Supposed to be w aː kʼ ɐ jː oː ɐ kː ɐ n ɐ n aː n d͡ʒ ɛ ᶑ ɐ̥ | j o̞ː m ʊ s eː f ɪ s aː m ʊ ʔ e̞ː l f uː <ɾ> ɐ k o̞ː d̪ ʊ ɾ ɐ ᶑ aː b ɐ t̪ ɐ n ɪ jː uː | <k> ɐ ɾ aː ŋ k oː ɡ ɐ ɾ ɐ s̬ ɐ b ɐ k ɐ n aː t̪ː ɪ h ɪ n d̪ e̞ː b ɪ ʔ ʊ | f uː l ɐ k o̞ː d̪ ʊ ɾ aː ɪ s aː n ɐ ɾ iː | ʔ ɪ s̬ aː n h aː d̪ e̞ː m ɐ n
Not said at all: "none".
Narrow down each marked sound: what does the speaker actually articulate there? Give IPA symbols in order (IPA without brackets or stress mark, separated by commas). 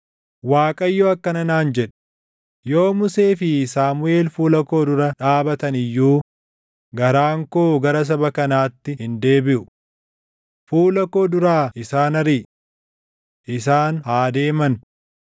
l, ɡ